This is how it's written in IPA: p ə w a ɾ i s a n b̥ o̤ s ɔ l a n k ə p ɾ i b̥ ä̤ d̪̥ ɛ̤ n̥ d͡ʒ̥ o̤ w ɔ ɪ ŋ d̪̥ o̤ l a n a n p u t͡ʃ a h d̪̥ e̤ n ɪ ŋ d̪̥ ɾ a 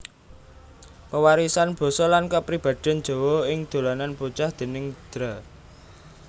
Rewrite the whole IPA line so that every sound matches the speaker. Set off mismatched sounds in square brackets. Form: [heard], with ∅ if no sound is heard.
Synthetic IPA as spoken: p ə w a ɾ i s a n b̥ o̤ s ɔ l a n k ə p ɾ i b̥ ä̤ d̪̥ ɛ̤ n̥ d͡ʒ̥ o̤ w ɔ ɪ ŋ d̪̥ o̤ l a n a n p u t͡ʃ a h d̪̥ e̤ n ɪ ŋ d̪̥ ɾ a